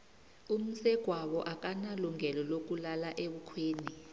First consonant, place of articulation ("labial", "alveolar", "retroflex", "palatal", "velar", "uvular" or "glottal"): labial